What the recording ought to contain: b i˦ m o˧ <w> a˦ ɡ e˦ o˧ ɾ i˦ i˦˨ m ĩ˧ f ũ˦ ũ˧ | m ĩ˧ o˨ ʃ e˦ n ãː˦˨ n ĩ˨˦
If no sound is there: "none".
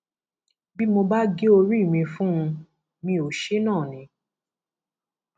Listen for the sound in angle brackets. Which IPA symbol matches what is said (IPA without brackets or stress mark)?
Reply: b